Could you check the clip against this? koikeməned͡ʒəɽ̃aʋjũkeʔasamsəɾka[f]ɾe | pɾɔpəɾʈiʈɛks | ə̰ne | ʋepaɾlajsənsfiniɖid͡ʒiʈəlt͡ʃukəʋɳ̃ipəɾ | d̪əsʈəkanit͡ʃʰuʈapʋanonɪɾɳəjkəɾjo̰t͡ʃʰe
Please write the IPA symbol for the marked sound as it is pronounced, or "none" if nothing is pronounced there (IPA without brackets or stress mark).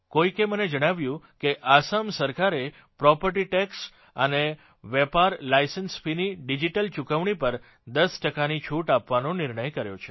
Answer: none